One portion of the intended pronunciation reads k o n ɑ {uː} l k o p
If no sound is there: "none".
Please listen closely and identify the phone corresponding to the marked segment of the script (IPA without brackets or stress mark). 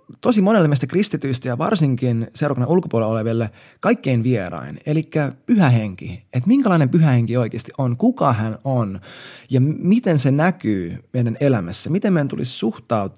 u